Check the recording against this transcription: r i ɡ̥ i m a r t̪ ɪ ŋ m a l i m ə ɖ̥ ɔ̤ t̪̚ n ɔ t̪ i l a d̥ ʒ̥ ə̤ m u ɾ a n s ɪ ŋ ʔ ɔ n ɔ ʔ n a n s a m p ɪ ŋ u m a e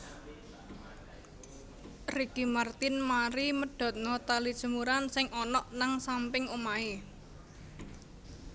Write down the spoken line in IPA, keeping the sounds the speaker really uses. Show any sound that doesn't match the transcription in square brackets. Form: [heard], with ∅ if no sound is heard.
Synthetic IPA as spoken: r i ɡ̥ i m a r t̪ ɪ [n] m a [ɾ] i m ə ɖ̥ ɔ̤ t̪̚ n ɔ t̪ [a] l [i] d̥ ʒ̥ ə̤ m u ɾ a n s ɪ ŋ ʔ ɔ n ɔ ʔ n a [ŋ] s a m p ɪ ŋ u m a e

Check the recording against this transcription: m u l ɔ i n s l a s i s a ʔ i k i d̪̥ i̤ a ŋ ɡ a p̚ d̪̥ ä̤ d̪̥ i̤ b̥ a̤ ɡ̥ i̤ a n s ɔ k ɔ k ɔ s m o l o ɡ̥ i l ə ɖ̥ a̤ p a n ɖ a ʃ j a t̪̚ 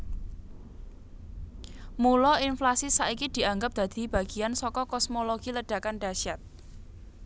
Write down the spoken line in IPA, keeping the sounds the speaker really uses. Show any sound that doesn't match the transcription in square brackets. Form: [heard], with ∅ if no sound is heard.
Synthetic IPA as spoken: m u l ɔ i n [f] l a s i s a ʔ i k i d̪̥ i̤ a ŋ ɡ a p̚ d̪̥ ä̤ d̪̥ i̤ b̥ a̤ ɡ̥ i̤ a n s ɔ k ɔ k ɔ s m o l o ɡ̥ i l ə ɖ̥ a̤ [k] a n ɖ a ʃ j a t̪̚

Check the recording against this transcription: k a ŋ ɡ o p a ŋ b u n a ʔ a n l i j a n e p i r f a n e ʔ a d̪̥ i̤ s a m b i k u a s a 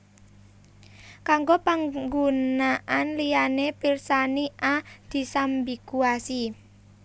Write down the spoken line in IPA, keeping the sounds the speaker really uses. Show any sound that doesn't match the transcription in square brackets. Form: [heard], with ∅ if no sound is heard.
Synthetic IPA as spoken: k a ŋ ɡ o p a ŋ [ɡ] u n a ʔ a n l i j a n e p i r [s] a n [i] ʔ a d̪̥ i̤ s a m b i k u a s [i]

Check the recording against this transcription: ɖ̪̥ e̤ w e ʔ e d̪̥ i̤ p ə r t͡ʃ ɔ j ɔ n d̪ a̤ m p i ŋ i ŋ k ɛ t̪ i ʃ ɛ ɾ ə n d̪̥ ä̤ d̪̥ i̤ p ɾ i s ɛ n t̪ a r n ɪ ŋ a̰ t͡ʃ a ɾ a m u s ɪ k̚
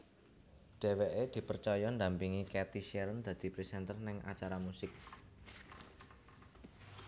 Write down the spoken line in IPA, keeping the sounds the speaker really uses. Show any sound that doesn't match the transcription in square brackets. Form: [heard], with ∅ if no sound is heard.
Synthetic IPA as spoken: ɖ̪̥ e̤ w e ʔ e d̪̥ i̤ p ə r t͡ʃ ɔ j ɔ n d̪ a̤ m p i ŋ i [∅] k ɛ t̪ i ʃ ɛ ɾ ə n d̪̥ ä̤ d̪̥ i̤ p ɾ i s ɛ n t̪ [ə] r n ɪ ŋ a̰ t͡ʃ a ɾ a m u s ɪ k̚

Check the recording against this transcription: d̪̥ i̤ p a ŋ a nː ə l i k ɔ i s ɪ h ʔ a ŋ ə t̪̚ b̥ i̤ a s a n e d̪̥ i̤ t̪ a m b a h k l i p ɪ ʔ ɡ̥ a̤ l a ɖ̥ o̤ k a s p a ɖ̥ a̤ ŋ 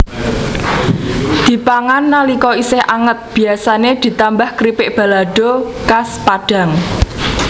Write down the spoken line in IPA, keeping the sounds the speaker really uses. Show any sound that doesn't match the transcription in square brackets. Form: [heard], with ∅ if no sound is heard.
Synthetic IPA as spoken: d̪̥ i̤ p a ŋ a nː [a] l i k ɔ i s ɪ h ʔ a ŋ ə t̪̚ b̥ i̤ a s a n e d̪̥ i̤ t̪ a m b a h k [ɾ] i p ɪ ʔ [b̥] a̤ l a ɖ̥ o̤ k a s p a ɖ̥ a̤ ŋ

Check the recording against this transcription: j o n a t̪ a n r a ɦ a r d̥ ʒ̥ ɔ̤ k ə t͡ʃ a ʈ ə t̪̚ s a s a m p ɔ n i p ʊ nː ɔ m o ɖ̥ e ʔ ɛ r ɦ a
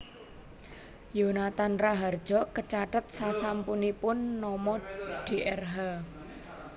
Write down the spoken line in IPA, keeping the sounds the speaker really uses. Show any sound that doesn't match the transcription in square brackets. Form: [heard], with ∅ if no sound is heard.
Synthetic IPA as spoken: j o n a t̪ a n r a ɦ a r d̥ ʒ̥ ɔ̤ k ə t͡ʃ a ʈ ə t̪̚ s a s a m p [u] n i p ʊ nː ɔ m [ɔ] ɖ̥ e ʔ ɛ r ɦ a

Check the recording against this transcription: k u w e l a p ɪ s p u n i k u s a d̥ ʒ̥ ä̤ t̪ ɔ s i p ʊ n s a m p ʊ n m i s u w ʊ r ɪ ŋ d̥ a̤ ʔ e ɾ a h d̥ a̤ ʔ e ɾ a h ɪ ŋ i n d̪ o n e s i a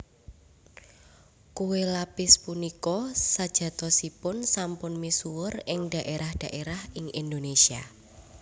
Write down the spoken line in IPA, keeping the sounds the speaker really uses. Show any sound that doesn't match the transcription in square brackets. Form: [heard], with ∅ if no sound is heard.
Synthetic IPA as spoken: k u w e l a p ɪ s p u n i k [ɔ] s a d̥ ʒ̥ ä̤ t̪ ɔ s i p ʊ n s a m p ʊ n m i s u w ʊ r ɪ ŋ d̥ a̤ ʔ e ɾ a h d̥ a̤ ʔ e ɾ a h ɪ ŋ i n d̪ o n e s i a

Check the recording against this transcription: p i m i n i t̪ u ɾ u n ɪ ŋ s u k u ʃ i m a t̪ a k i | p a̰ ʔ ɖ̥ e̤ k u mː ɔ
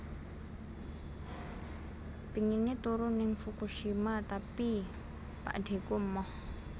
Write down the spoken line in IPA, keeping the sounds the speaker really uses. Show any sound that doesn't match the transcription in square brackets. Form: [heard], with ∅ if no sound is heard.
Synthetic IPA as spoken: p i [ŋ] i n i t̪ u ɾ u n ɪ ŋ [f] u k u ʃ i m a t̪ a [p] i | p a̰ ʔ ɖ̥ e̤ k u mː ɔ

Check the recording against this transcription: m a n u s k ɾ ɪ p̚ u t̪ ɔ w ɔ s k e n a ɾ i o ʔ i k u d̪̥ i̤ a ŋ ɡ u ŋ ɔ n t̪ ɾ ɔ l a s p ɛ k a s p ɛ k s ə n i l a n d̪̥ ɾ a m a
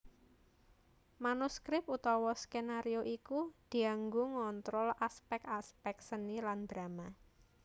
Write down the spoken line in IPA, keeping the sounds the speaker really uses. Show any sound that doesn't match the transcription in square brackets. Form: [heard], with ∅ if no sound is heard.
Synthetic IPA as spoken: m a n u s k ɾ ɪ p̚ u t̪ ɔ w ɔ s k e n a ɾ i o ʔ i k u d̪̥ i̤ a ŋ ɡ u ŋ ɔ n t̪ ɾ ɔ l a s p ɛ k a s p ɛ k s ə n i l a n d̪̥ ɾ a m a

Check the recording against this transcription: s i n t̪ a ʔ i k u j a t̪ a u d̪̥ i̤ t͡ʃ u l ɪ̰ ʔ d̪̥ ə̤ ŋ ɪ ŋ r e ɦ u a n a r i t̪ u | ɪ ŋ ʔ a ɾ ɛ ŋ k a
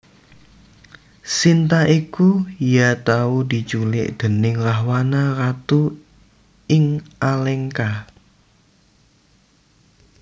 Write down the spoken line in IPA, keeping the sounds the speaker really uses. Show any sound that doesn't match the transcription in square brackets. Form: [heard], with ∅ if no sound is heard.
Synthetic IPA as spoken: s i n t̪ a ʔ i k u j a t̪ a u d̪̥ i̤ t͡ʃ u l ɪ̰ ʔ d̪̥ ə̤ [n] ɪ ŋ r [a] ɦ [w] a n a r [a] t̪ u | ɪ ŋ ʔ a [l] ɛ ŋ k a

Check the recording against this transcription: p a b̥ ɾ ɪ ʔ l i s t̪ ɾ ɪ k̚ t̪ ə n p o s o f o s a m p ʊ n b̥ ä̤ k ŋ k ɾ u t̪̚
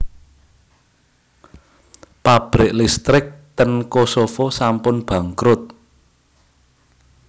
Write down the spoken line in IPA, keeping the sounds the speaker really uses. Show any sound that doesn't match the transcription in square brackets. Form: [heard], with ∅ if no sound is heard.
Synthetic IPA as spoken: p a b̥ ɾ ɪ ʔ l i s t̪ ɾ ɪ k̚ t̪ ə n [k] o s o f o s a m p ʊ n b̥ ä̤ [∅] ŋ k ɾ [ʊ] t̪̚

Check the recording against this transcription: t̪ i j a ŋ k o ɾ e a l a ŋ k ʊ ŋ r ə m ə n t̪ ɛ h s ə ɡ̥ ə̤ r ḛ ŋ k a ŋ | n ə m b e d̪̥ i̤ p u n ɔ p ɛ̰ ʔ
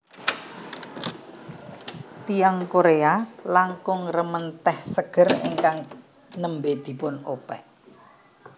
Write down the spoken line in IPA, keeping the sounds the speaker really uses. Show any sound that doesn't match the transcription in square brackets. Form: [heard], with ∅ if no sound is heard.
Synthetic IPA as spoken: t̪ i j a ŋ k o ɾ e a l a ŋ k ʊ ŋ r ə m ə n t̪ ɛ h s ə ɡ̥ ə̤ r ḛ ŋ k a ŋ | n ə m b e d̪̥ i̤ p [ʊ] n [o] p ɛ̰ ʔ

